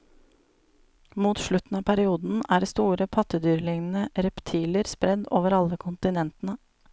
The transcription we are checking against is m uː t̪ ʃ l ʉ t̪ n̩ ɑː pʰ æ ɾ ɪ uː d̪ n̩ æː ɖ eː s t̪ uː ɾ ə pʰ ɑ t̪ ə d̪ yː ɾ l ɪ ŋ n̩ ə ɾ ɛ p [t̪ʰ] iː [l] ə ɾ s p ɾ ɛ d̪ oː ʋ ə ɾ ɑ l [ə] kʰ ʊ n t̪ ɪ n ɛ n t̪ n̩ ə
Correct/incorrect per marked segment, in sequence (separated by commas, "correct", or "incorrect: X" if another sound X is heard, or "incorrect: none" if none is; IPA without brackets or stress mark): correct, correct, correct